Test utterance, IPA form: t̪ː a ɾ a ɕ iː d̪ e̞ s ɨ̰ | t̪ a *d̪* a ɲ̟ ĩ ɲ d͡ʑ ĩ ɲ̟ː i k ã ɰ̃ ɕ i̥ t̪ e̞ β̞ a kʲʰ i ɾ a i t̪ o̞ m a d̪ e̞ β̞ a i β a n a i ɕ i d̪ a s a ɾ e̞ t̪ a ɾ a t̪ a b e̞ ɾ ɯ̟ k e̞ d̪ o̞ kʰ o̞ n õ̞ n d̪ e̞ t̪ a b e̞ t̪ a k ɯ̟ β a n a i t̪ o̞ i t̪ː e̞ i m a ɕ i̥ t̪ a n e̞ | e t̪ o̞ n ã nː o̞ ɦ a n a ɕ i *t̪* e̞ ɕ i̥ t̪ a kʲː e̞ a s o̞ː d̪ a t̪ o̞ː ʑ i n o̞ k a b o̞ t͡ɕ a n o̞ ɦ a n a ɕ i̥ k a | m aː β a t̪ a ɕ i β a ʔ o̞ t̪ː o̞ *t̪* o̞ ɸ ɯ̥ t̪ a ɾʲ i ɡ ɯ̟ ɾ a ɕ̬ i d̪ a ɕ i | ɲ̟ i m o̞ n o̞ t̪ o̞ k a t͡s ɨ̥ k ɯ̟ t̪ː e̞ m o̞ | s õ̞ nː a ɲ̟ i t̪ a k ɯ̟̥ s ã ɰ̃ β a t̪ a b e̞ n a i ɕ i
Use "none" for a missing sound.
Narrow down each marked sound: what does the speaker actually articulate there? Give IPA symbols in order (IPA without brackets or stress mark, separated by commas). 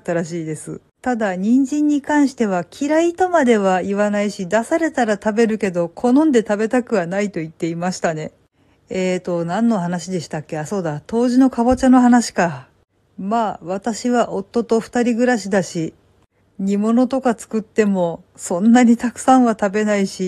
d̪, d̪, t̪